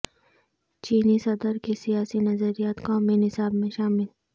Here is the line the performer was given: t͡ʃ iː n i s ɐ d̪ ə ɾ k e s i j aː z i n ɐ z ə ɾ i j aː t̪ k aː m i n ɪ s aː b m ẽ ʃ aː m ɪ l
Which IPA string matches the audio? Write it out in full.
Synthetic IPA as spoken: t͡ʃ iː n i s ɐ d̪ ə ɾ k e s i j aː s i n ɐ z ə ɾ i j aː t̪ k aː m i n ɪ s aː b m ẽ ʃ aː m ɪ l